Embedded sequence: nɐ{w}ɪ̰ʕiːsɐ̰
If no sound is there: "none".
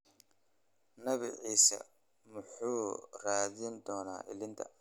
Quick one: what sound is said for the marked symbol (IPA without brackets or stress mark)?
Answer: β